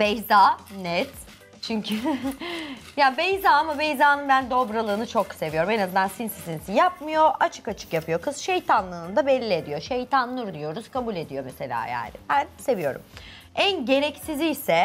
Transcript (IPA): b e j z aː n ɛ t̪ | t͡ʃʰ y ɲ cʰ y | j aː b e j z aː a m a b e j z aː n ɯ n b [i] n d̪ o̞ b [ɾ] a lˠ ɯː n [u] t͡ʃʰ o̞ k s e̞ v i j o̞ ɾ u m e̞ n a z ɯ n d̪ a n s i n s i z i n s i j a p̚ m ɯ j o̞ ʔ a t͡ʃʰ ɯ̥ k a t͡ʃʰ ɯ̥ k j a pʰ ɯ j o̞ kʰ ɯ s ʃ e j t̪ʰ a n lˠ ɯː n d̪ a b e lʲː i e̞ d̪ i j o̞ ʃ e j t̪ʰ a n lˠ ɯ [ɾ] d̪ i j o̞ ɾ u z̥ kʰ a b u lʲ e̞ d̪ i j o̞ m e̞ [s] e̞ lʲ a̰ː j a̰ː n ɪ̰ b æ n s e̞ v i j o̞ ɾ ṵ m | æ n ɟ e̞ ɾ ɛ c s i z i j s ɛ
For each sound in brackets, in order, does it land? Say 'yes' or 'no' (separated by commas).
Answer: no, yes, no, yes, yes